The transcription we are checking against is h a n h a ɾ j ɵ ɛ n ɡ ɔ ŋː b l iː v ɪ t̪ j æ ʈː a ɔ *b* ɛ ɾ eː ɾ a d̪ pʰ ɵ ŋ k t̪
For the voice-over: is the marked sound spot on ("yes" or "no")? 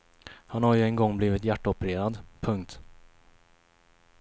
no